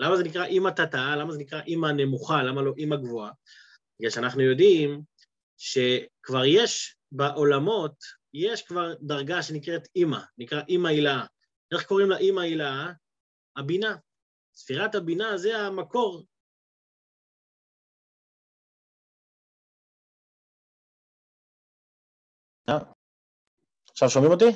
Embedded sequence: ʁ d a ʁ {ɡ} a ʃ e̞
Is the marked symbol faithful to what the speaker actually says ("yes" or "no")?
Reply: yes